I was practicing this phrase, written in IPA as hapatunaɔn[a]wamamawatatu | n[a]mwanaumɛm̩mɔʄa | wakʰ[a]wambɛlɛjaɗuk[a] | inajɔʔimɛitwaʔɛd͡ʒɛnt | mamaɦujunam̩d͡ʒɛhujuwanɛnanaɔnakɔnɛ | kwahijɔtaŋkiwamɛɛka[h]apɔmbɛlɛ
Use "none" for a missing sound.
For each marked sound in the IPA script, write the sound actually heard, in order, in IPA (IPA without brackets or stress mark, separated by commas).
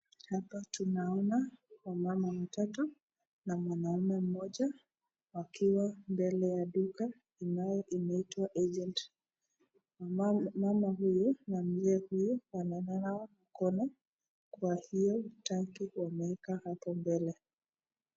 a, a, i, a, h